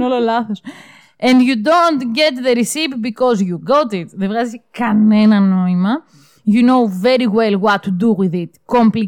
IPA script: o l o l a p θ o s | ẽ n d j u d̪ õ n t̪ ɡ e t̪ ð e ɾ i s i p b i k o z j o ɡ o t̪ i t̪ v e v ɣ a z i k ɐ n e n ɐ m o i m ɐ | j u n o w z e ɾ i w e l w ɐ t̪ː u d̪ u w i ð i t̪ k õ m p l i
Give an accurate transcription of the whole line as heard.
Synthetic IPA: o l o l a θ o s | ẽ n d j u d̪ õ n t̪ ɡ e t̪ ð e ɾ i s i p b i k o z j u ɡ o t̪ i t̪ ð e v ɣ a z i k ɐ n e n ɐ n o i m ɐ | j u n o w v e ɾ i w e l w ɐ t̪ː u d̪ u w i ð i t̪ k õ m p l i